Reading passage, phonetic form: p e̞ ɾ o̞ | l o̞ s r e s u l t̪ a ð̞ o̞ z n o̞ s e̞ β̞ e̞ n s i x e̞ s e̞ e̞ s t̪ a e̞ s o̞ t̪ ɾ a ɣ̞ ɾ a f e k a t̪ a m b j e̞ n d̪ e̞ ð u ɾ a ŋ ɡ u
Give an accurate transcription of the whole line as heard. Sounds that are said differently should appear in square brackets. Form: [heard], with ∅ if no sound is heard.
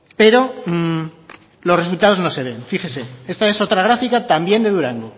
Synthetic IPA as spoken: p e̞ ɾ o̞ | l o̞ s r e s u l t̪ a ð̞ o̞ z n o̞ s e̞ β̞ e̞ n [f] i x e̞ s e̞ e̞ s t̪ a e̞ s o̞ t̪ ɾ a ɣ̞ ɾ a f [i] k a t̪ a m b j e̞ n d̪ e̞ ð u ɾ a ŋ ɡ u